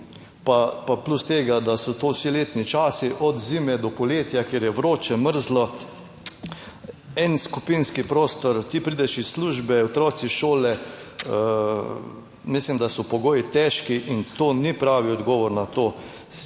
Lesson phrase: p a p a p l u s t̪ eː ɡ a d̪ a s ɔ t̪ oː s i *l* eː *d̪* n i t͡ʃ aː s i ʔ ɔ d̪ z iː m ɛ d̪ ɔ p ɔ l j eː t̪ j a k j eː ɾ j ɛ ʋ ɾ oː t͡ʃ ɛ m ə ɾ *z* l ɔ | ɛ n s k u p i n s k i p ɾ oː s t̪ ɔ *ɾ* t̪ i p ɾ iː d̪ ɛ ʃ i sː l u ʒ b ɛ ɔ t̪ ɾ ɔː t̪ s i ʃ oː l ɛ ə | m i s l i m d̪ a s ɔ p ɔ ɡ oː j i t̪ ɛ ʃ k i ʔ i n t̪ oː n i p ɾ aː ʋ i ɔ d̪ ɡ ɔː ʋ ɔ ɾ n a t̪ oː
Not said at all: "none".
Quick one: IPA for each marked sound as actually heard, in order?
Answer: l, t̪, z, ɾ

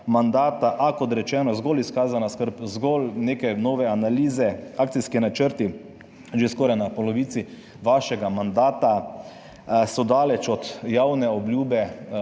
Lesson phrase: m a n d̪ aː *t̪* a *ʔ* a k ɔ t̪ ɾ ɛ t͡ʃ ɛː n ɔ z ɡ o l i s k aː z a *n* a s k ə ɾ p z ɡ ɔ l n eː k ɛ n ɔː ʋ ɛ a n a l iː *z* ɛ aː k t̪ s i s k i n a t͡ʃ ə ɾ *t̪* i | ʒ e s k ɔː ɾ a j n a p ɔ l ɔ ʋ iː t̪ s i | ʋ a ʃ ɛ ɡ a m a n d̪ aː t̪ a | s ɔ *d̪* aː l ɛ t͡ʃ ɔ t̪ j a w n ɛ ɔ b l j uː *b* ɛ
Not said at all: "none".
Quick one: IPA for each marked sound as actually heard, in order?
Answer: t̪, ʔ, n, z, t̪, d̪, b

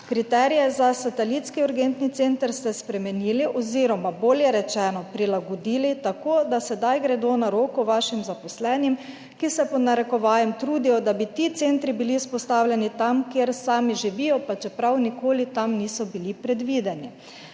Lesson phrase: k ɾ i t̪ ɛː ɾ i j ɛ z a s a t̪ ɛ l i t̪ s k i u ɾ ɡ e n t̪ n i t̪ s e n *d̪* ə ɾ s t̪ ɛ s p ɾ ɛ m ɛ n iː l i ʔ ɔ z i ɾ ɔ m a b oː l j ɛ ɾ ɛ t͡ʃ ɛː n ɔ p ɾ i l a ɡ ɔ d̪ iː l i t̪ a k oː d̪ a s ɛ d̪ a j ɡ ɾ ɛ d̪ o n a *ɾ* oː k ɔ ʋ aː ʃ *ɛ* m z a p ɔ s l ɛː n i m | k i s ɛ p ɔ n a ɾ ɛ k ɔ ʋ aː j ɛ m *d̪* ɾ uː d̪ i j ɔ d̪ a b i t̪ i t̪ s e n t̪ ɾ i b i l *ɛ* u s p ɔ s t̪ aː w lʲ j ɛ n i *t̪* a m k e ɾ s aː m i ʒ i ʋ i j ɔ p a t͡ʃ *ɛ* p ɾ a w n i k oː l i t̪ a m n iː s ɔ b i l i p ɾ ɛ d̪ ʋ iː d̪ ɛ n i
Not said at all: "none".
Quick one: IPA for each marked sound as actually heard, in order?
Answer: t̪, ɾ, i, t̪, i, t̪, ɛ

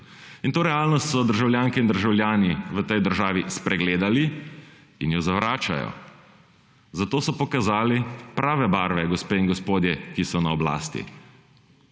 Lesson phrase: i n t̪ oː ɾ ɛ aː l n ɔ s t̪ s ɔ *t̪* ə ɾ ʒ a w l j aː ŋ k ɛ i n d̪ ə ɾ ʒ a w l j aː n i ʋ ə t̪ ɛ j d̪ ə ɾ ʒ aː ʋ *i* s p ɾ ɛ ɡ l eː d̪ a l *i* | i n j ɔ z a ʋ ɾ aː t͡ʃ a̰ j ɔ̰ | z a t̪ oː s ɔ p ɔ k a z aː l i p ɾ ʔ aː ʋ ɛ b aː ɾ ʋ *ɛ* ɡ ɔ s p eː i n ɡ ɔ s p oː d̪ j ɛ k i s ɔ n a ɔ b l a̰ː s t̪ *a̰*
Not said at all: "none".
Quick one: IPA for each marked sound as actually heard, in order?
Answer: d̪, i, i, ɛ, ḭ

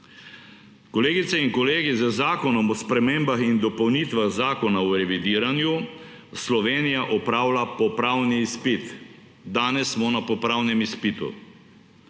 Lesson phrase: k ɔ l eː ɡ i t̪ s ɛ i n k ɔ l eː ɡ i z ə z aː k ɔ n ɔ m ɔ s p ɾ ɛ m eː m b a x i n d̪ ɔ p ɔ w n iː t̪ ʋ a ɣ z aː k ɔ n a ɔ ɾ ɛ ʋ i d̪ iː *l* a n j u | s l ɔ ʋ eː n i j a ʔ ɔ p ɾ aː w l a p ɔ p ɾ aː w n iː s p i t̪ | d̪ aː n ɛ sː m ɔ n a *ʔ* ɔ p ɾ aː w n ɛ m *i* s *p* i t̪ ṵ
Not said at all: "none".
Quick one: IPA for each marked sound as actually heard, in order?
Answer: ɾ, p, i, p

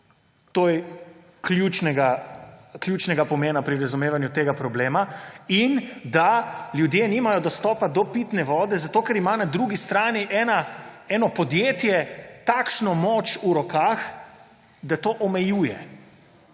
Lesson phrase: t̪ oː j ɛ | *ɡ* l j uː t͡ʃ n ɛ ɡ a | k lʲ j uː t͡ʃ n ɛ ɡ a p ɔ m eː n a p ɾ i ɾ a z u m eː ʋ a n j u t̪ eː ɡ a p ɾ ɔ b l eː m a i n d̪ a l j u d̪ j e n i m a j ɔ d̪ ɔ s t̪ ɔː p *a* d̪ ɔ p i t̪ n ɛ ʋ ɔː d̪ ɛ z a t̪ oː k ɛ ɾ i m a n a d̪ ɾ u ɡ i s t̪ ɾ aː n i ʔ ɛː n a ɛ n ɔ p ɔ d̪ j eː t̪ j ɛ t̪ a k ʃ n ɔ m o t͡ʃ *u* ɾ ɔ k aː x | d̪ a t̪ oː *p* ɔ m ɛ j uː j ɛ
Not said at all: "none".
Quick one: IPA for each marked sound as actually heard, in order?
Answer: k, a, u, ʔ

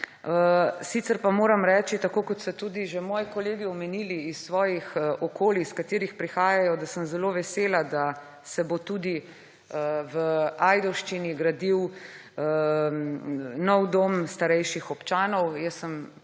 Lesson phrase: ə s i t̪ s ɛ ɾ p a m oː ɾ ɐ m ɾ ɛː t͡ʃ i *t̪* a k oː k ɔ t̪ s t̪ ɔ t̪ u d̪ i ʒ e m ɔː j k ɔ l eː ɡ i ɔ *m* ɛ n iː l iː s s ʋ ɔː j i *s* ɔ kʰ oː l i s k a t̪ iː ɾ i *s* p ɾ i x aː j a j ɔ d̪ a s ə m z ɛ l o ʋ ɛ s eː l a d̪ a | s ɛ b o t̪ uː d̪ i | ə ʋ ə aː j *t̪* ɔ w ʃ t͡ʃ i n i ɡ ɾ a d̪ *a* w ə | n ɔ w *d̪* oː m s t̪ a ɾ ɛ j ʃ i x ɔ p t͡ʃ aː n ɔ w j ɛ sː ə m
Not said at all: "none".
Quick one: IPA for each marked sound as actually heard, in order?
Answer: t̪, m, x, x, d̪, i, d̪

